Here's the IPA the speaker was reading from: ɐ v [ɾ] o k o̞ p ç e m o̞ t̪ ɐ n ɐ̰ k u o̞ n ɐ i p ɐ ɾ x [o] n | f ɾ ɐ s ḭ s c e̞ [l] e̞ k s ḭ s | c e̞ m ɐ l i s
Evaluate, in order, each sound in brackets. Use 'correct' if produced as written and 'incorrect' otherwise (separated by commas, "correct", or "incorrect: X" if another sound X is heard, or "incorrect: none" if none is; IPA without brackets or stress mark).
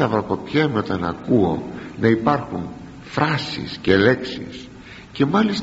correct, incorrect: u, correct